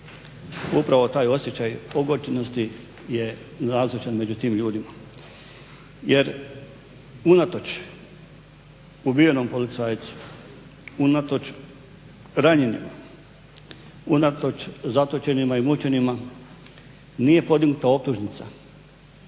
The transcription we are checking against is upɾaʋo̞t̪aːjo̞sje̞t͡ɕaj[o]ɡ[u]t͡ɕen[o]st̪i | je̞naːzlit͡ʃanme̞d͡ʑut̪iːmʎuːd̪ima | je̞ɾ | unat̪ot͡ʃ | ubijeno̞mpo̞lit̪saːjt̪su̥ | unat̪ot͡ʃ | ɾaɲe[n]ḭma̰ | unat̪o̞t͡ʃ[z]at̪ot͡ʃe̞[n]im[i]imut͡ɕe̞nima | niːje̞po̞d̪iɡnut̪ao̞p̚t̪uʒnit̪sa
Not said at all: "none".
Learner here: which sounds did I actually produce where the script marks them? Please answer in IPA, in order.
o, o, o, n, z, n, a

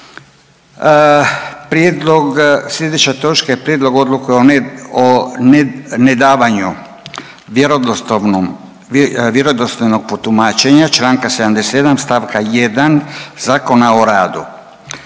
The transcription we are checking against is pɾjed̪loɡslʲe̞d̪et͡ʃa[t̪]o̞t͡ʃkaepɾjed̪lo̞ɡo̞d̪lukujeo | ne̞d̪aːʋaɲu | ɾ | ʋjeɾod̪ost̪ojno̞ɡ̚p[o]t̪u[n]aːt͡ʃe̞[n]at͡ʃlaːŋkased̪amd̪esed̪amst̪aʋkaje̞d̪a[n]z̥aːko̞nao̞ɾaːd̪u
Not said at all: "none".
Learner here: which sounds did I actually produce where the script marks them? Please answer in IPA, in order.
t̪, o, m, ɲ, n

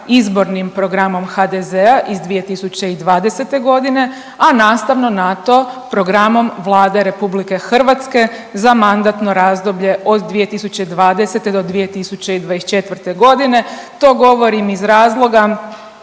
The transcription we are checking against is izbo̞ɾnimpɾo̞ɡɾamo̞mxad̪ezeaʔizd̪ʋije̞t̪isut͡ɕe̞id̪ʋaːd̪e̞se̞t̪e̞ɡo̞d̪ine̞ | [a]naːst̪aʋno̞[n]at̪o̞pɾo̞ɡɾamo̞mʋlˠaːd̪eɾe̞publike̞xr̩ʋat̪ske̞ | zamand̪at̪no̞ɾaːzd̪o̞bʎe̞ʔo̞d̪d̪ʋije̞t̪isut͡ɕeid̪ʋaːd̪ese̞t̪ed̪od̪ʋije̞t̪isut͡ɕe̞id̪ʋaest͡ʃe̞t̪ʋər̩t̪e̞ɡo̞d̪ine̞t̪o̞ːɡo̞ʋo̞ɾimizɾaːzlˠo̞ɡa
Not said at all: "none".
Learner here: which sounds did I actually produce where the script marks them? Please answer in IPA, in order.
a, n

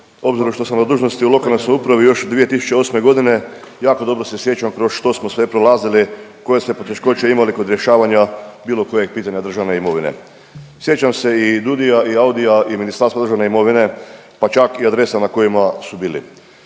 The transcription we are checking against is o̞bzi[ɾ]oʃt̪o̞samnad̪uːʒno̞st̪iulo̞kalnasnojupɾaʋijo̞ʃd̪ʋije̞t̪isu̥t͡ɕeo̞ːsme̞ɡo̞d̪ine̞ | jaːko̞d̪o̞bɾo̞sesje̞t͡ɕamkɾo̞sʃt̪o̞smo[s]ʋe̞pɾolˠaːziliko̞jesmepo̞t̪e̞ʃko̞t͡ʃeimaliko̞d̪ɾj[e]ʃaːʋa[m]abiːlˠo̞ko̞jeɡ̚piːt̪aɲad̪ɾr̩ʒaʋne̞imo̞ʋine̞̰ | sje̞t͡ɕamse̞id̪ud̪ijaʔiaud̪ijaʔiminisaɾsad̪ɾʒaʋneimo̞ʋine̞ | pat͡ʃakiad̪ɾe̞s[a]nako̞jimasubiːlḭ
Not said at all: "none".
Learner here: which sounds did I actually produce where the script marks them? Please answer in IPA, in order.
ɾ, s, e, ɲ, a

